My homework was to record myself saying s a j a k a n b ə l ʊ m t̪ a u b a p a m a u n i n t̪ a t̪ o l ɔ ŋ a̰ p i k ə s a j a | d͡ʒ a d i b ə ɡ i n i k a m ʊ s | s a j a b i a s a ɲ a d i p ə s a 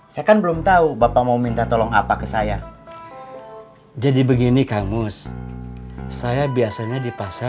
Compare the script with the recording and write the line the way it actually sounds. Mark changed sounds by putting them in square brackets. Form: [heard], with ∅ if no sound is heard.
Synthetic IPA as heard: s a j a k a n b ə l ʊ m t̪ a u b a p a m a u [m] i n t̪ a t̪ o l ɔ ŋ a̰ p [a] k ə s a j a | d͡ʒ a d i b ə ɡ i n i k a m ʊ s | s a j a b i a s a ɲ a d i p [a] s a